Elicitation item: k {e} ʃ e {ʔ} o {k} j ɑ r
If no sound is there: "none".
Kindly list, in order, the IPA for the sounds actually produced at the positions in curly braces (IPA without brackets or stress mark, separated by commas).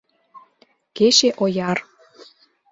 e, ʔ, none